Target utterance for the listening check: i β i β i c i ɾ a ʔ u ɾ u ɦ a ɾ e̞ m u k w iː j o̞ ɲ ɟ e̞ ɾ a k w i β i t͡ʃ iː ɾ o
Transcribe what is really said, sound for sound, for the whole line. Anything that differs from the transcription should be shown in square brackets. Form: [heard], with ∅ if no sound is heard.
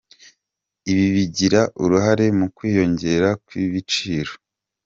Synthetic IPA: i β i β i [ɟ] i ɾ a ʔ u ɾ u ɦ a ɾ e̞ m u k w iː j o̞ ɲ ɟ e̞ ɾ a k w i β i t͡ʃ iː ɾ o